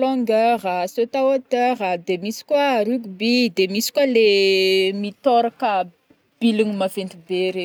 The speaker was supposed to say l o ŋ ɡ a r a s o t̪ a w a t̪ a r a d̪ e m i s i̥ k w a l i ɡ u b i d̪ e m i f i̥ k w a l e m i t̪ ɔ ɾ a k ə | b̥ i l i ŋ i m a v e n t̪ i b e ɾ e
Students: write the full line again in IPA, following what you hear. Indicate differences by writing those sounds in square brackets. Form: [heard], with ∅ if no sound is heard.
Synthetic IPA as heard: l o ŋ ɡ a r a s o t̪ a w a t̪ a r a d̪ e m i s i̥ k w a [ɾ] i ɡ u b i d̪ e m i [s] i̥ k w a l e m i t̪ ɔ ɾ a k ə | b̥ i l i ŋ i m a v e n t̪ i b e ɾ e